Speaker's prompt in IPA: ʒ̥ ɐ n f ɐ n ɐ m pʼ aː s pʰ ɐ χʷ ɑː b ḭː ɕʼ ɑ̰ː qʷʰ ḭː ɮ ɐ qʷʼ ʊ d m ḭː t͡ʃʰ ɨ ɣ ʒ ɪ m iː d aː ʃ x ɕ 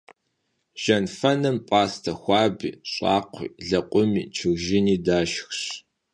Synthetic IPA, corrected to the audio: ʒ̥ ɐ n f ɐ n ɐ m pʼ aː s tʰ ɐ xʷ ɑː b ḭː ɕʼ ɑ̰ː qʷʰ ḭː ɮ ɐ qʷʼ ʊ m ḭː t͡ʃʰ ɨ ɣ ʒ ɪ n iː d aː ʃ x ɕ